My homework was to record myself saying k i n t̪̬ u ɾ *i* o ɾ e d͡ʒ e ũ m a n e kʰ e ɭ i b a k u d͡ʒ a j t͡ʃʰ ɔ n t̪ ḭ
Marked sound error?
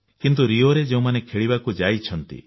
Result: no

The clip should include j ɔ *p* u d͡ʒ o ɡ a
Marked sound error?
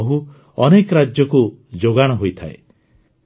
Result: yes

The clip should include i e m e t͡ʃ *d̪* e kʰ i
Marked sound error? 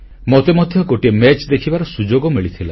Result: no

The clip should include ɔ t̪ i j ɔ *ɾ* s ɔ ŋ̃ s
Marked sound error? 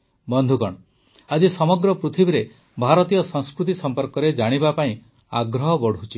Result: yes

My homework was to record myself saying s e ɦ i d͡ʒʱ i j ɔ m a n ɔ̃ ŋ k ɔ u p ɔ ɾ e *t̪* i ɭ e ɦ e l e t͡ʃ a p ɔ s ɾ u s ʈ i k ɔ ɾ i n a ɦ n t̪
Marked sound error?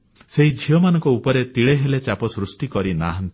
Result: no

